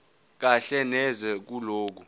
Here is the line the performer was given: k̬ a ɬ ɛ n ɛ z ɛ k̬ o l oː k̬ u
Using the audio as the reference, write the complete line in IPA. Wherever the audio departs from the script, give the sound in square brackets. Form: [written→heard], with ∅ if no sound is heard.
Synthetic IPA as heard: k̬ a ɬ ɛ n ɛ z ɛ k̬ [o→u] l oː k̬ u